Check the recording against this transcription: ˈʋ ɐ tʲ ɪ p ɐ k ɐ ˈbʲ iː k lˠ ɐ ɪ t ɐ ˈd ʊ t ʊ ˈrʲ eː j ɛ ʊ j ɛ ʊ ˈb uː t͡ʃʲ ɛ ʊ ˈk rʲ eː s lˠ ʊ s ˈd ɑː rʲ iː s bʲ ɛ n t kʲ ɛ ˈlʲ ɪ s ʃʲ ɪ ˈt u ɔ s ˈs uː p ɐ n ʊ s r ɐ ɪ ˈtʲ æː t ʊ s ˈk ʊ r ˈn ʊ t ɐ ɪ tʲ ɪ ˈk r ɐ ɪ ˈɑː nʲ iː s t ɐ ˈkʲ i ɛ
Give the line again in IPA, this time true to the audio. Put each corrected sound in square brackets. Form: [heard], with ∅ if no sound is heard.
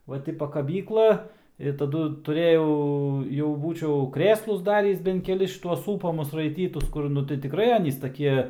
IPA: ˈʋ ɐ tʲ ɪ p ɐ k ɐ ˈbʲ iː k lˠ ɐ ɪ t ɐ ˈd ʊ t ʊ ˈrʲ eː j ɛ ʊ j ɛ ʊ ˈb uː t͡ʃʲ ɛ ʊ ˈk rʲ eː s lˠ ʊ s ˈd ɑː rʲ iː s bʲ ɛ n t kʲ ɛ ˈlʲ ɪ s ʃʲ ɪ ˈt u ɔ s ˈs uː p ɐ [m] ʊ s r ɐ ɪ ˈtʲ [iː] t ʊ s ˈk ʊ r ˈn ʊ t ɐ ɪ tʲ ɪ ˈk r ɐ ɪ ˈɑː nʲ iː s t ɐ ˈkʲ i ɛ